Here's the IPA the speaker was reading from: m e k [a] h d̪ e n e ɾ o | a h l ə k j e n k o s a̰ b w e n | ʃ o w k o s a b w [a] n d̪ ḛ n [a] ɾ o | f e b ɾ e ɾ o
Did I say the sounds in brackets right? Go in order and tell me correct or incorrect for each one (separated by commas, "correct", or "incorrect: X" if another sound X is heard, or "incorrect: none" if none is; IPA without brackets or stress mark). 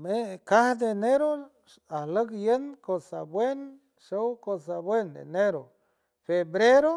correct, incorrect: e, incorrect: e